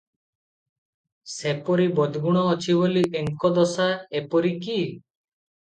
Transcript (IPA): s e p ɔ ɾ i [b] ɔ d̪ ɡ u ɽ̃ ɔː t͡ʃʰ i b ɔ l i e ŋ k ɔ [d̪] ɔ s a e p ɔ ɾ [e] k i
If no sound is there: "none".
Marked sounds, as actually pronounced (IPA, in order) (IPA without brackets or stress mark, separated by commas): b, d̪, i